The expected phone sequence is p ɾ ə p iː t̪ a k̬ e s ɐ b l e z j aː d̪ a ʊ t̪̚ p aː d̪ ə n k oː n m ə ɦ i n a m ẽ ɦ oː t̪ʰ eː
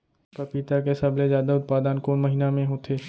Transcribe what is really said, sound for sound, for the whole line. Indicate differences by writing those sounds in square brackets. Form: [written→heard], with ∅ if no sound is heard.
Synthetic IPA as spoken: p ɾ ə p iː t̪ a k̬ e s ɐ b l e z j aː d̪ a ʊ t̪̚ p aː d̪ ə n k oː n m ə ɦ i n a m ẽ ɦ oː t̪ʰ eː